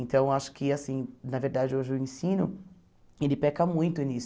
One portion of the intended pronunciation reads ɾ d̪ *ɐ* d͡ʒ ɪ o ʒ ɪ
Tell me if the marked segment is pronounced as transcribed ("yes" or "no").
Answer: no